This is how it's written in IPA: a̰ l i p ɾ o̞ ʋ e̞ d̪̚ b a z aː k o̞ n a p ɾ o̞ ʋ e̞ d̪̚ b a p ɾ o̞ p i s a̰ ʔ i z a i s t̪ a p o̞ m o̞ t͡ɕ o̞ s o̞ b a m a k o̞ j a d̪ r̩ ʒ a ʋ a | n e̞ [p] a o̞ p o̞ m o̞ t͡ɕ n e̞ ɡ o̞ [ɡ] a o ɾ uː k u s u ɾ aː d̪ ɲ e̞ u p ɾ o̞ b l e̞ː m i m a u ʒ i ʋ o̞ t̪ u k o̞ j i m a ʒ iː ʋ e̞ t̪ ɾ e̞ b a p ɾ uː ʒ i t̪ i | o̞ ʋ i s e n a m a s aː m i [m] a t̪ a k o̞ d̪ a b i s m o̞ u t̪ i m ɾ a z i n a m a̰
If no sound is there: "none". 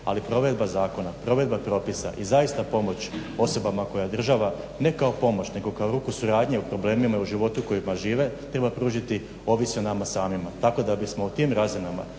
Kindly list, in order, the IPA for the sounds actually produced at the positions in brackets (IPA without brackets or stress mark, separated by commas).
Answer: k, k, m